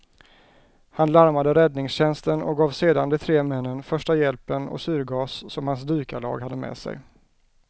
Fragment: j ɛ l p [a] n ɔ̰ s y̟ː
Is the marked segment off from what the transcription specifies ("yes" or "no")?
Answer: yes